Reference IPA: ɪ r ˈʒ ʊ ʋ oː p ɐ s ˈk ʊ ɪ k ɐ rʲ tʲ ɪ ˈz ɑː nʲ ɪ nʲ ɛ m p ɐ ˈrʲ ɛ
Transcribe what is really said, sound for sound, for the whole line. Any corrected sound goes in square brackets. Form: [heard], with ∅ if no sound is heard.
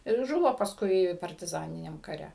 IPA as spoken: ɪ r ˈʒ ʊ ʋ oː p ɐ s ˈk ʊ ɪ [p] ɐ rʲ tʲ ɪ ˈz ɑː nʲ ɪ nʲ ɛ m [k] ɐ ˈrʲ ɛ

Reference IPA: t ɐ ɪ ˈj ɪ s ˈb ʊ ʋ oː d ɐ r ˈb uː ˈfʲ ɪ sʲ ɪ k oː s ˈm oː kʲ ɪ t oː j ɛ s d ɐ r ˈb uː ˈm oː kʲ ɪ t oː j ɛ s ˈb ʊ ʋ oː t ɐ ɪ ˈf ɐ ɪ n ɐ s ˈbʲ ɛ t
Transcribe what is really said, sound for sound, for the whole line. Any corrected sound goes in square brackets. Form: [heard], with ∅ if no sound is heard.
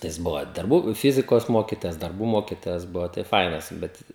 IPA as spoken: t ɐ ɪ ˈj ɪ s ˈb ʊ ʋ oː d ɐ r ˈb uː ˈfʲ ɪ [zʲ] ɪ k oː s ˈm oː kʲ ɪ t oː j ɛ s d ɐ r ˈb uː ˈm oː kʲ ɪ t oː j ɛ s ˈb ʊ ʋ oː t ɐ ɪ ˈf ɐ ɪ n ɐ s ˈbʲ ɛ t

